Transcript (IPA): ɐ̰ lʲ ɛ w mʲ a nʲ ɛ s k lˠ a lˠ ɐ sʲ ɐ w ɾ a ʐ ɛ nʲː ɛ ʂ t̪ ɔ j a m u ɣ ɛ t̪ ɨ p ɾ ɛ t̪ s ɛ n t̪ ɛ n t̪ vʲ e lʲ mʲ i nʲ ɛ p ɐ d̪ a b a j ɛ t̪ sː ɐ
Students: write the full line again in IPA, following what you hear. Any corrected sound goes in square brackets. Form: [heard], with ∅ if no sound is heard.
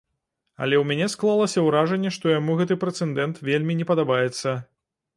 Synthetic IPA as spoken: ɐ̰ lʲ ɛ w mʲ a nʲ ɛ s k lˠ a lˠ ɐ sʲ ɐ w ɾ a ʐ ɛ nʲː ɛ ʂ t̪ ɔ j a m u ɣ ɛ t̪ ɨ p ɾ ɛ t̪ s ɛ n [d̪] ɛ n t̪ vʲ e lʲ mʲ i nʲ ɛ p ɐ d̪ a b a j ɛ t̪ sː ɐ

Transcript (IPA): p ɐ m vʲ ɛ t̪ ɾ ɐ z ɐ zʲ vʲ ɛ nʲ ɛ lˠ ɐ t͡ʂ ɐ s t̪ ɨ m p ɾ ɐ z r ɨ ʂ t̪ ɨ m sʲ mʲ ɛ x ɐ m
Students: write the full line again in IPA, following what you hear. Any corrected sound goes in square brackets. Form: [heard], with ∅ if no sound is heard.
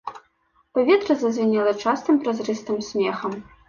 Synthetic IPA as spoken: p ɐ [∅] vʲ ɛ t̪ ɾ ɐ z ɐ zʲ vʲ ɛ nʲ ɛ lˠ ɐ t͡ʂ [a] s t̪ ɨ m p ɾ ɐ z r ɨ [s] t̪ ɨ m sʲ mʲ ɛ x ɐ m

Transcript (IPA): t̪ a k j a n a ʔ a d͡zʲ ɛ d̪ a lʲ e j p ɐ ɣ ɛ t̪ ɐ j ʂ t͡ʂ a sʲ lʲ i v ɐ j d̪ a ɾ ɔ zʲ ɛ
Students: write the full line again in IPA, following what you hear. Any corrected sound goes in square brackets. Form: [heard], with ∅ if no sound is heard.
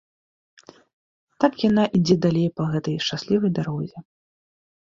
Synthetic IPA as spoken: t̪ a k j a n a ʔ [i] d͡zʲ ɛ d̪ a lʲ e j p ɐ ɣ ɛ t̪ ɐ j ʂ t͡ʂ a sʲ lʲ i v ɐ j d̪ a ɾ ɔ zʲ ɛ

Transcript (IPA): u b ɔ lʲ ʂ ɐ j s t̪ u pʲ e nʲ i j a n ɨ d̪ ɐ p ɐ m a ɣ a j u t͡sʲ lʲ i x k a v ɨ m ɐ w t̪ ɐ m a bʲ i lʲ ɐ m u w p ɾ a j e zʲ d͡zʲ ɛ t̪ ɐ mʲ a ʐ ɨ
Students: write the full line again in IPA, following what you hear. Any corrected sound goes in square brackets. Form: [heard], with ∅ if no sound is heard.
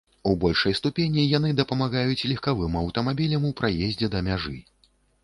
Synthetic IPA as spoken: u b ɔ lʲ ʂ ɐ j s t̪ u pʲ e nʲ i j a n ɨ d̪ ɐ p ɐ m a ɣ a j u t͡sʲ lʲ i x k a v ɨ m ɐ w t̪ ɐ m a bʲ i lʲ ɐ m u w p ɾ a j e zʲ d͡zʲ ɛ [d̪] ɐ mʲ a ʐ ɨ

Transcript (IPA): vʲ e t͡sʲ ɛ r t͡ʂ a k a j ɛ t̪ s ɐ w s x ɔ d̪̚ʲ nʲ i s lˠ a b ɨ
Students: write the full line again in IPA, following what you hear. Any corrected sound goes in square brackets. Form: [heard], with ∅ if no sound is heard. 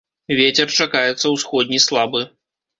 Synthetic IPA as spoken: vʲ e t͡sʲ ɛ r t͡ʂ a k a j ɛ t̪ [sː] ɐ w s x ɔ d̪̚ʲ nʲ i s lˠ a b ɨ

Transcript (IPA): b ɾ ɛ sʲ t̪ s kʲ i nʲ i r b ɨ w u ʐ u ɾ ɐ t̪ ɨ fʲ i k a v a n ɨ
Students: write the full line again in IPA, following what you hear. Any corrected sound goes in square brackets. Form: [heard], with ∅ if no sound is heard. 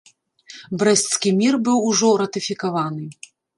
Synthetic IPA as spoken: b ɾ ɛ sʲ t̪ s kʲ i [mʲ] i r b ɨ w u ʐ [ɔ] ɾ ɐ t̪ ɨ fʲ i k a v a n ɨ

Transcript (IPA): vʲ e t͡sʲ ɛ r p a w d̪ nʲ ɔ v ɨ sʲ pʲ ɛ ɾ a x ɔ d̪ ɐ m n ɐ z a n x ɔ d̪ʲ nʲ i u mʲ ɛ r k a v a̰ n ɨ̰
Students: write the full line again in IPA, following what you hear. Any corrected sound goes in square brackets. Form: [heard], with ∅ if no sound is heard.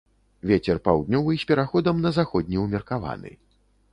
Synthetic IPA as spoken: vʲ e t͡sʲ ɛ r p a w d̪ nʲ ɔ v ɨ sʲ pʲ ɛ ɾ a x ɔ d̪ ɐ m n ɐ z a [∅] x ɔ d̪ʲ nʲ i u mʲ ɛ r k a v a̰ n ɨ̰

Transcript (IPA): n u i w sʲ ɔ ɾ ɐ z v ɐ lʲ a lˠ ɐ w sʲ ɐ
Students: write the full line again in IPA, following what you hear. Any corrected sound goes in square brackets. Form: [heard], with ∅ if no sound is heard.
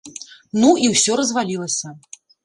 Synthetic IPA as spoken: n u i w sʲ ɔ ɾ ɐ z v [a] lʲ [i] lˠ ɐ [∅] sʲ ɐ

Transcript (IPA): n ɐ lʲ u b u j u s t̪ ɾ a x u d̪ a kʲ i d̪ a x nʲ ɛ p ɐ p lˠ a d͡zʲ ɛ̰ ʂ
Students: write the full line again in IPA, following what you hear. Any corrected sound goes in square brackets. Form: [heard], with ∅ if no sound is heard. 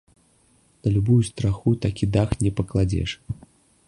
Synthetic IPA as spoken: n ɐ lʲ u b u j u s t̪ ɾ a x u [t̪] a kʲ i d̪ a x nʲ ɛ p ɐ [k] lˠ a d͡zʲ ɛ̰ ʂ

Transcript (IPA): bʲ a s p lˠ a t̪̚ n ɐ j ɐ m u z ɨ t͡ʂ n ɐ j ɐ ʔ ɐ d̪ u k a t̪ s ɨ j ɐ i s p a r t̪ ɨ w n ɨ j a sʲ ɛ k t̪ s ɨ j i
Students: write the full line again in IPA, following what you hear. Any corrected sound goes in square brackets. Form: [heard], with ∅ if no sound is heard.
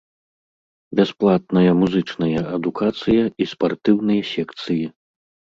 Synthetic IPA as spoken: bʲ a s p lˠ a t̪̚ n ɐ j ɐ m u z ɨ t͡ʂ n ɐ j ɐ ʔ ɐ d̪ u k a t̪ s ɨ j ɐ i s p a r t̪ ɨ w n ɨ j [ɐ] sʲ ɛ k t̪ s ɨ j i

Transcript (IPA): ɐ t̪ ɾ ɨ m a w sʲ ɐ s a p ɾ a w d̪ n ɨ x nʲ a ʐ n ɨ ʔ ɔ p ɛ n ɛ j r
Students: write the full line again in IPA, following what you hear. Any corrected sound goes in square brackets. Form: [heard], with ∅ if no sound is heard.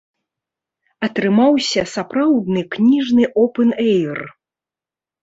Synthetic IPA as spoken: ɐ t̪ ɾ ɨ m a w sʲ ɐ s a p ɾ a w d̪ n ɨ [k] nʲ [i] ʐ n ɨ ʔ ɔ p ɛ n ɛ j r

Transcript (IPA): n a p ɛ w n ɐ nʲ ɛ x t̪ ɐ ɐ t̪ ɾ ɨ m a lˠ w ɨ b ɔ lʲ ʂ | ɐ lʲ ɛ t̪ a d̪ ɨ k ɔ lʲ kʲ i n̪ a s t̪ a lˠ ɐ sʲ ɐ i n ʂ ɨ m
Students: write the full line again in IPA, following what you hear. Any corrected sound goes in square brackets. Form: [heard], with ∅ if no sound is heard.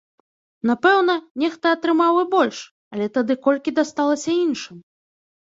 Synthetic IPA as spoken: n a p ɛ w n ɐ nʲ ɛ x t̪ ɐ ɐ t̪ ɾ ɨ m a [∅] w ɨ b ɔ lʲ ʂ | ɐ lʲ ɛ t̪ a d̪ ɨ k ɔ lʲ kʲ i [d̪] a s t̪ a lˠ ɐ sʲ ɐ i n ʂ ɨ m

